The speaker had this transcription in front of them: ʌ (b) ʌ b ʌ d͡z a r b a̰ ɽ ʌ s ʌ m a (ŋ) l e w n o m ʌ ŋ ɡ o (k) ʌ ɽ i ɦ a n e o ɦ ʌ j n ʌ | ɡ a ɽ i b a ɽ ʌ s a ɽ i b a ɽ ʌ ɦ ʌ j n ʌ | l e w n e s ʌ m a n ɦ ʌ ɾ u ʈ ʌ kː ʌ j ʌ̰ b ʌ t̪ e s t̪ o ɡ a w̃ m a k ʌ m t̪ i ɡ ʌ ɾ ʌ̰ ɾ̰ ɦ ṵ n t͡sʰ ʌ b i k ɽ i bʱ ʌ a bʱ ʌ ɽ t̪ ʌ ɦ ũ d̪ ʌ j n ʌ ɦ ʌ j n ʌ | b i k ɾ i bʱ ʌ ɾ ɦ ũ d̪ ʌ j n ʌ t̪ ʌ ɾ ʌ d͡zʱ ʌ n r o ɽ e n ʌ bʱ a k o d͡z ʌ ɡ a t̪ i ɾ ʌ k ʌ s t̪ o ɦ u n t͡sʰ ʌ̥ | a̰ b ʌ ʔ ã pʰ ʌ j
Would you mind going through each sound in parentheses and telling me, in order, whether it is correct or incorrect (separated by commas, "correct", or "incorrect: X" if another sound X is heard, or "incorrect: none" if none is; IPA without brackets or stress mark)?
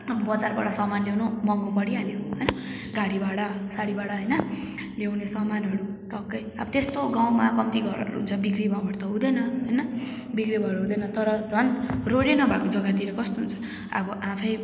correct, incorrect: n, incorrect: p